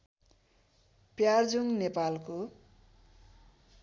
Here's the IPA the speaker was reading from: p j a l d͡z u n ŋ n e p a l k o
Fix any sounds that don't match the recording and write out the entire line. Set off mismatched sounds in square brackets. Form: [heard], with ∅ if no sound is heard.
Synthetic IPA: p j a [r] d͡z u [∅] ŋ n e p a l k o